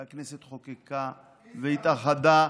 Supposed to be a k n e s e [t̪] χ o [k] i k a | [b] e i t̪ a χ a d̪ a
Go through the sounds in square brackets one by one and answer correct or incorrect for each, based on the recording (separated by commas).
correct, correct, incorrect